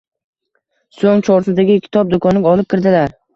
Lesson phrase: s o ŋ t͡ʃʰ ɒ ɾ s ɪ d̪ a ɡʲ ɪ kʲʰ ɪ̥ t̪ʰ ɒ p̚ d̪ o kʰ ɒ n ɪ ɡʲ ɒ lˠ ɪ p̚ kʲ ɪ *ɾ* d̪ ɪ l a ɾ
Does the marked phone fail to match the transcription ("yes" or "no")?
no